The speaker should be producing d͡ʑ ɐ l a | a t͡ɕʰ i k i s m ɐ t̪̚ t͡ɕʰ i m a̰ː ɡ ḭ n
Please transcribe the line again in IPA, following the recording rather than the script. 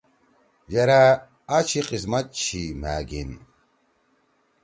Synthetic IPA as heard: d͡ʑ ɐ ɾ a | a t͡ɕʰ i q i s m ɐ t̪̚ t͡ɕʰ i m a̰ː ɡ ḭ n